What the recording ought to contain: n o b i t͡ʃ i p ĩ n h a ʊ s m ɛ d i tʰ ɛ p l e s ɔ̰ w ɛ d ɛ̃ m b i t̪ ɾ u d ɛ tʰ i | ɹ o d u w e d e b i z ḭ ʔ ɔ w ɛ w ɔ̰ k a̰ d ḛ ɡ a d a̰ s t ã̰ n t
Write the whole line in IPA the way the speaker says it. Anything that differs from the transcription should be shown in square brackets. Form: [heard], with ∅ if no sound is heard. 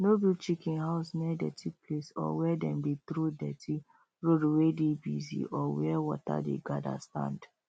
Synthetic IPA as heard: n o b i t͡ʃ i [k] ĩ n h a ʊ s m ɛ d [ɛ] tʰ [i] p l e s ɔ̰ w ɛ d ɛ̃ m b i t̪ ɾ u d ɛ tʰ i | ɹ o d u w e d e b i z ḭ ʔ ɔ w ɛ w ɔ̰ [t] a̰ d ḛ ɡ a d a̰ s t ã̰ n [d]